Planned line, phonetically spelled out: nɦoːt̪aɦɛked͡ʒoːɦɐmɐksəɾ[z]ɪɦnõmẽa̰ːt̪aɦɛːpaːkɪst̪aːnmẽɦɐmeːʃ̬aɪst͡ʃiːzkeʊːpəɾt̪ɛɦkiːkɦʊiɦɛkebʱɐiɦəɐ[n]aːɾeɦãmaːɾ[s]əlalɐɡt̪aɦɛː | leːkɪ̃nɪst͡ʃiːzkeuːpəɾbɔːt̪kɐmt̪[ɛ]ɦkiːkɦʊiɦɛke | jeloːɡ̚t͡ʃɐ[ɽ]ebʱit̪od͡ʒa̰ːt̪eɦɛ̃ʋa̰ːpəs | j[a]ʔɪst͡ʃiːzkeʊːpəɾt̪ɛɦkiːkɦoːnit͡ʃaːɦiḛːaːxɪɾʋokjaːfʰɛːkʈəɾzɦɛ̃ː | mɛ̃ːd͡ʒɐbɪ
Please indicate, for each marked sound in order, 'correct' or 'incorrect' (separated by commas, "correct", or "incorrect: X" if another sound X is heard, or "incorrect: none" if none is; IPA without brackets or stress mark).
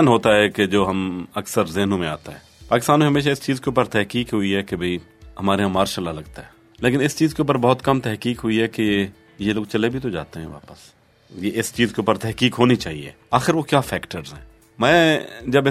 correct, incorrect: m, incorrect: ʃ, correct, incorrect: l, incorrect: e